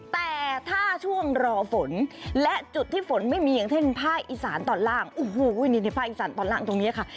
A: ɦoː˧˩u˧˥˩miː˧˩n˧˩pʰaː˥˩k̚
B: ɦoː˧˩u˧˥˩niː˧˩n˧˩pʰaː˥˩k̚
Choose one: B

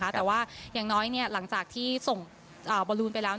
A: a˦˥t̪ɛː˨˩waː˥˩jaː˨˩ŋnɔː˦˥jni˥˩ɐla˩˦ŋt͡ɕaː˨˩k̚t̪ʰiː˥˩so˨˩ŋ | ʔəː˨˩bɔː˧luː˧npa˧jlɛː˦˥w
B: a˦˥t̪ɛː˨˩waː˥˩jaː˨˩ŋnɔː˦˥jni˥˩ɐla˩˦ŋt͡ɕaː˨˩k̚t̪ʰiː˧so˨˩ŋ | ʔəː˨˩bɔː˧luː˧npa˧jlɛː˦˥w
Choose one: A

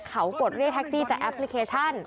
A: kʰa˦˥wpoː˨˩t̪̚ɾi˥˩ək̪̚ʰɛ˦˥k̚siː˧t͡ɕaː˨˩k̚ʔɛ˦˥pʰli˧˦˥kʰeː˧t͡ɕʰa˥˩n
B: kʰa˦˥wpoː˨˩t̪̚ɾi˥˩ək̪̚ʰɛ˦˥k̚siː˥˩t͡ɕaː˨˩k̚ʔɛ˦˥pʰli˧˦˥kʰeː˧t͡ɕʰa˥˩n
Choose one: B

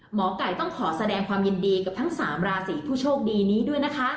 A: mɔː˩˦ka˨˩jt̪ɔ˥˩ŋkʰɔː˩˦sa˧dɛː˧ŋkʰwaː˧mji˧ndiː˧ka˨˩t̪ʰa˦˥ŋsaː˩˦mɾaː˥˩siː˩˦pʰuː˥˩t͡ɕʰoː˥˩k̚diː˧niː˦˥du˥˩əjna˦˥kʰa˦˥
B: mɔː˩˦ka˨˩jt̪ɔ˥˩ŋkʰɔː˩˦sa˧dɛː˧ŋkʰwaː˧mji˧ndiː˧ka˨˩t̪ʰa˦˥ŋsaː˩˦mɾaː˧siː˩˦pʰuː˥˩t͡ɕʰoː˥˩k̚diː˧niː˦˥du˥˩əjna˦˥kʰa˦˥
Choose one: B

